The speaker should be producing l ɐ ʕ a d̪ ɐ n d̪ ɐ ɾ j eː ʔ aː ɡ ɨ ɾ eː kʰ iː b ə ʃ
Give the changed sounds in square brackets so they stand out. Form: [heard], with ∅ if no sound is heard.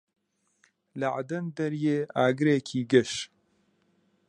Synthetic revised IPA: l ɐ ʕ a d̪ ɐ n d̪ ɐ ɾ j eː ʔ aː ɡ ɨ ɾ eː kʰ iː [ɡ] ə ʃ